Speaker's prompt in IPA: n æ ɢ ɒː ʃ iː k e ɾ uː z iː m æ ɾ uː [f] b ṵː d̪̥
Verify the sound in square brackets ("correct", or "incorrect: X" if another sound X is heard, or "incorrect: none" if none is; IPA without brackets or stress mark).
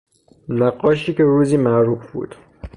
correct